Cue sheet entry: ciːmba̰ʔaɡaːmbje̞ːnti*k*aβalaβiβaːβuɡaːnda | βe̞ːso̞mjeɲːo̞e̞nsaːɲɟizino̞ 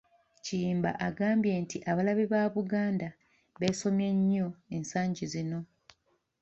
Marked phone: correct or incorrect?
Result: incorrect